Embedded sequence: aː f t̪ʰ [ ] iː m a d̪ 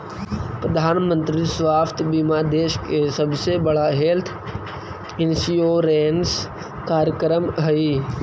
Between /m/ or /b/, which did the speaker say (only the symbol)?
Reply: b